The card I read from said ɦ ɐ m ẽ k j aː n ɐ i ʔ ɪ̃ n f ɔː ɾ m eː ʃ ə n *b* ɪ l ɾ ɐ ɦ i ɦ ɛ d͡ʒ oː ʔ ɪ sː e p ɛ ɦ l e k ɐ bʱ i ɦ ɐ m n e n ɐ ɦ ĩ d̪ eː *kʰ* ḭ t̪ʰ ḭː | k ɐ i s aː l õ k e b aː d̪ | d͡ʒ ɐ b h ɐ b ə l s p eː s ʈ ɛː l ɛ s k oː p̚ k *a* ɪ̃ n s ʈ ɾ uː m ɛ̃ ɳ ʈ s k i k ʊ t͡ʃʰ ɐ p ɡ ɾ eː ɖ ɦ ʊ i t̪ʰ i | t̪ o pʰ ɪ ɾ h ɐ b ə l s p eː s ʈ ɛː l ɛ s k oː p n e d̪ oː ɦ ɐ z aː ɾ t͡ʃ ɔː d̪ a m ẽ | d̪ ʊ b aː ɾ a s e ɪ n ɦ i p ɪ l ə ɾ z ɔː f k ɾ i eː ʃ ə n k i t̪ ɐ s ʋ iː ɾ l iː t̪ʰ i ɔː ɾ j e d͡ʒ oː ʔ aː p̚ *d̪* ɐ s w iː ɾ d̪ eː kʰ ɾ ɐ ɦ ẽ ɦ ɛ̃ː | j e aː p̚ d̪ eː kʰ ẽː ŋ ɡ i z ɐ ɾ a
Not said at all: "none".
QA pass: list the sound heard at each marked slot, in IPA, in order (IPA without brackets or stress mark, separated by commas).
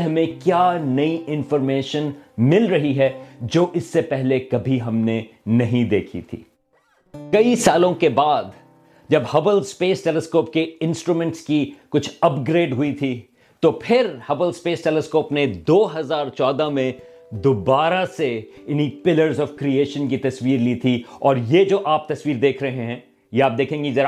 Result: m, kʰ, e, t̪